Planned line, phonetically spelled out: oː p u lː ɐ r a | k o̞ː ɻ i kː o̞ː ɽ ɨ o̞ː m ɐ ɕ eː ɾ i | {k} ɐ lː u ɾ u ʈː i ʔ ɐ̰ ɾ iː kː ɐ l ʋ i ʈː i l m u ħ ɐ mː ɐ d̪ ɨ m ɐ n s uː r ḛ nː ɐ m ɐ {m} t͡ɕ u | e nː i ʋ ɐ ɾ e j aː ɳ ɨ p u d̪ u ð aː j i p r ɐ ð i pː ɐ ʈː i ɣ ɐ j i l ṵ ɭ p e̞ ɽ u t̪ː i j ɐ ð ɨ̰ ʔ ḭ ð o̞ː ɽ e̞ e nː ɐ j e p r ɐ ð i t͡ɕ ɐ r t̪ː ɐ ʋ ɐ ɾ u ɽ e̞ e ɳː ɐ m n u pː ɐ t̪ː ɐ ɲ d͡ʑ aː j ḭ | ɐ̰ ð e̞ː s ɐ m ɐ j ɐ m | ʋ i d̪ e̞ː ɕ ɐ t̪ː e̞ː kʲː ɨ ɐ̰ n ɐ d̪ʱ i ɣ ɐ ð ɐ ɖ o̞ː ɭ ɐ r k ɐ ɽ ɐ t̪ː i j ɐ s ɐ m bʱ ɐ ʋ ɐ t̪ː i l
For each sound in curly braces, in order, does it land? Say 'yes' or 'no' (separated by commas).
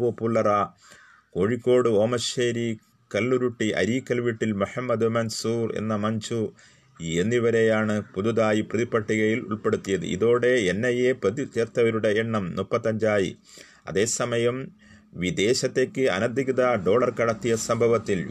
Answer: yes, no